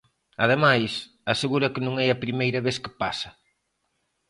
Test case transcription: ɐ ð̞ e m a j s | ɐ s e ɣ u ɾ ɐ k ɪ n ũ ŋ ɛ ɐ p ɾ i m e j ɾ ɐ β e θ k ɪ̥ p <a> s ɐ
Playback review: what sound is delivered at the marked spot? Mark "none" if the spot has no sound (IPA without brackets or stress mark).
a